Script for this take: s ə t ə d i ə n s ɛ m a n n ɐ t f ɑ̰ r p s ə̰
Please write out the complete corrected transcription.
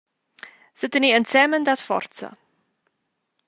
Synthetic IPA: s ə t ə n i ə n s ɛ m ə n d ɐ t f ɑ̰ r t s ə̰